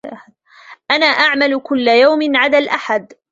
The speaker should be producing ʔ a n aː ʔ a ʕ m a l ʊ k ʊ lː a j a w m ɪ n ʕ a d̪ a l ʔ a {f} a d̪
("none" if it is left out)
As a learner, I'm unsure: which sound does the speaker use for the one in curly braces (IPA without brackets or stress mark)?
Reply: ħ